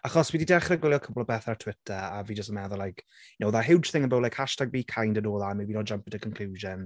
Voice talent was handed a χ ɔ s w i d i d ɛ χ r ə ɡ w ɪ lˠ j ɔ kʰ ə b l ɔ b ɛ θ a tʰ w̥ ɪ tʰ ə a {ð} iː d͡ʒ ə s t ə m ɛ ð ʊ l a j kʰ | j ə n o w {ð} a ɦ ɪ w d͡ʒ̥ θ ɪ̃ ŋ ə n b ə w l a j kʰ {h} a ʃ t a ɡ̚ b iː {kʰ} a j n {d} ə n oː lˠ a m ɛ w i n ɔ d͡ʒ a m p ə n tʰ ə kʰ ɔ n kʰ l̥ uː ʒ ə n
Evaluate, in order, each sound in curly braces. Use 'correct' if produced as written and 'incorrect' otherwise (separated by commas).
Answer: incorrect, correct, correct, correct, correct